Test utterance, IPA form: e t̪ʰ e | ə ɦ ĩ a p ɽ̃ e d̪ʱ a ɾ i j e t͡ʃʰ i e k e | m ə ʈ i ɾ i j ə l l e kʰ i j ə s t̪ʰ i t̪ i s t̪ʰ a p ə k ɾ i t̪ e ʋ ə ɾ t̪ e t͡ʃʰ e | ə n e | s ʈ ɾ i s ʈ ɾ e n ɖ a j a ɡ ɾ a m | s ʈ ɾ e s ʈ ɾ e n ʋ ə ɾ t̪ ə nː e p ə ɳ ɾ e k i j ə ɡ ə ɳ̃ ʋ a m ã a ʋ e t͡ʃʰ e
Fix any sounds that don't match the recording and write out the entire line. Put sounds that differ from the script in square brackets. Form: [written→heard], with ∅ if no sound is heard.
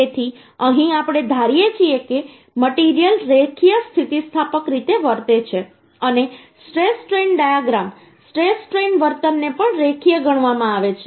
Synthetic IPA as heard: e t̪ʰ [e→i] | ə ɦ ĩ a p ɽ̃ e d̪ʱ a ɾ i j e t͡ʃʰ i e k e | m ə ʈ i ɾ i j ə l [l→ɾ] e kʰ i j ə s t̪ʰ i t̪ i s t̪ʰ a p ə k ɾ i t̪ e ʋ ə ɾ t̪ e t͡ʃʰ e | ə n e | s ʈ ɾ [i→e] s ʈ ɾ e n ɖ a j a ɡ ɾ a m | s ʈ ɾ e s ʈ ɾ e n ʋ ə ɾ t̪ ə nː e p ə ɳ ɾ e [k→kʰ] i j ə ɡ ə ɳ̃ ʋ a m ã a ʋ e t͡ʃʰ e